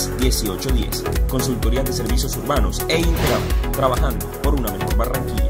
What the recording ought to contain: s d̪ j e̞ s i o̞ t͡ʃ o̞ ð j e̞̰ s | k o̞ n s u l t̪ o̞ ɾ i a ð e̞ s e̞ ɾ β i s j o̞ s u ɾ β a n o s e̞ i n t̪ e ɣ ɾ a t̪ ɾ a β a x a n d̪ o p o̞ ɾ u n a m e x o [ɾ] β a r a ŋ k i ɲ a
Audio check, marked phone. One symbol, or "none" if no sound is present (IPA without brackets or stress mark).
ɾ